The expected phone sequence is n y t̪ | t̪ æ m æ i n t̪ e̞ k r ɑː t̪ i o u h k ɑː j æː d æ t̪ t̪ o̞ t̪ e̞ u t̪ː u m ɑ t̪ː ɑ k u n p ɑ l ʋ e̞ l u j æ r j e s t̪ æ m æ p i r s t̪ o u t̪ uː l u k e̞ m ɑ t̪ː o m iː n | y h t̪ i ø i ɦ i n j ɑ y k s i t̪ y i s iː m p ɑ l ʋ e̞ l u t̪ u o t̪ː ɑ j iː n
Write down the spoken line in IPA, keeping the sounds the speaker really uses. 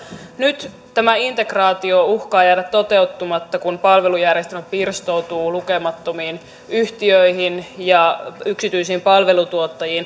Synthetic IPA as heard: n y t̪ | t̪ æ m æ i n t̪ e̞ k r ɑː t̪ i o u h k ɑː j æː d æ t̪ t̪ o̞ t̪ e̞ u t̪ː u m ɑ t̪ː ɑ k u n p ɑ l ʋ e̞ l u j æ r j e s t̪ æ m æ p i r s t̪ o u t̪ uː l u k e̞ m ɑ t̪ː o m iː n | y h t̪ i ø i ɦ i n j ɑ y k s i t̪ y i s iː m p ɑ l ʋ e̞ l u t̪ u o t̪ː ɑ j iː n